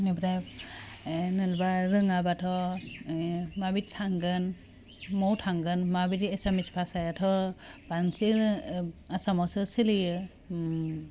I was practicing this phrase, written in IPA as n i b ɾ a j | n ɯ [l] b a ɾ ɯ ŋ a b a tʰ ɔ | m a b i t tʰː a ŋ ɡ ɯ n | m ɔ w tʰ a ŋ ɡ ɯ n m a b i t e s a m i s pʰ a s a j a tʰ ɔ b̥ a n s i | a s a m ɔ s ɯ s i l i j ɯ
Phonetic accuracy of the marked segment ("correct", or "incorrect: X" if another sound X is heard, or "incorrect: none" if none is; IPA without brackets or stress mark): correct